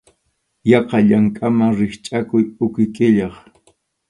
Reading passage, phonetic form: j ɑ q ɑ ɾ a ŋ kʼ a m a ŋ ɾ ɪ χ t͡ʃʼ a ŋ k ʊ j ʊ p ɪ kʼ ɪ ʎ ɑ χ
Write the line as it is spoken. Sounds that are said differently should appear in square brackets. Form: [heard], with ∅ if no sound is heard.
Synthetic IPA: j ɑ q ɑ [ʎ] a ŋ kʼ a m a ŋ ɾ ɪ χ t͡ʃʼ a [∅] k ʊ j ʊ [k] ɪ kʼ ɪ ʎ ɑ χ